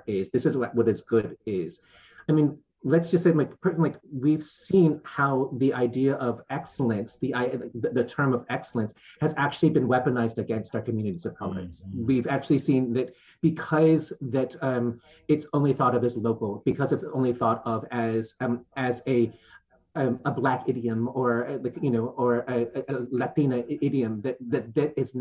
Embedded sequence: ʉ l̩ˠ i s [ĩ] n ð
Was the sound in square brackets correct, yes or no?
yes